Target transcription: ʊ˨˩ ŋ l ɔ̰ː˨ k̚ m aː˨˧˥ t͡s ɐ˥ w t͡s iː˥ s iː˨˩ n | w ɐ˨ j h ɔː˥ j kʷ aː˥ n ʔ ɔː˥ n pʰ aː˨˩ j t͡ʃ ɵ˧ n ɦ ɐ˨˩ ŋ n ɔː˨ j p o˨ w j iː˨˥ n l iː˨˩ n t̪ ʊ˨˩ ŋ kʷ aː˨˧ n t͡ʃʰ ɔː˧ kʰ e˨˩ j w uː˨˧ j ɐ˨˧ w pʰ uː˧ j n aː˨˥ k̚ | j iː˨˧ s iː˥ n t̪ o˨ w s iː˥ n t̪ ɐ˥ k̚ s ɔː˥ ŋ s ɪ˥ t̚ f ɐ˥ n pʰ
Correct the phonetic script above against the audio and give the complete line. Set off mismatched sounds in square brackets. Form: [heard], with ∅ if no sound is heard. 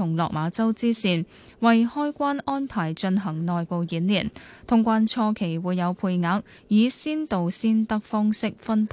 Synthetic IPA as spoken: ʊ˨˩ ŋ l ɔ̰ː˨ k̚ m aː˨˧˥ t͡s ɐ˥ w t͡s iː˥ s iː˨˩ n | w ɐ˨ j h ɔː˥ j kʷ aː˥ n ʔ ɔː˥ n pʰ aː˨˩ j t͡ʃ ɵ˧ n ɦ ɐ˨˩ ŋ n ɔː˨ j p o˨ w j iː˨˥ n l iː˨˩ n [t̪ʰ] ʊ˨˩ ŋ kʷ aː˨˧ n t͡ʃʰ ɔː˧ kʰ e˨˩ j w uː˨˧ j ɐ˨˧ w pʰ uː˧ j [ŋ] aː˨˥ k̚ | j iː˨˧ s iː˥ n t̪ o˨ w s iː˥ n t̪ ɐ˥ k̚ [f] ɔː˥ ŋ s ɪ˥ [k̚] f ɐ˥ n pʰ